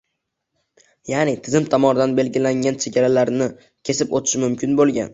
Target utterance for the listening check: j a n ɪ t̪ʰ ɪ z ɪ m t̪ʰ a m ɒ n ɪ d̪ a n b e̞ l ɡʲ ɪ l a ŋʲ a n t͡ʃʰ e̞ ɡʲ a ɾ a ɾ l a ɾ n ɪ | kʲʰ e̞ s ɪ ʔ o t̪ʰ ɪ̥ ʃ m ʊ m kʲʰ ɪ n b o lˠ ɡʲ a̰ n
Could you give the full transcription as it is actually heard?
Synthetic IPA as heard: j a n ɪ t̪ʰ ɪ z ɪ m t̪ʰ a m ɒ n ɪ d̪ a n b e̞ l ɡʲ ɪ l a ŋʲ a n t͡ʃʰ e̞ ɡʲ a ɾ a l a ɾ n ɪ | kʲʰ e̞ s ɪ p o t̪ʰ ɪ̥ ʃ m ʊ m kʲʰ ɪ n b o lˠ ɡʲ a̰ n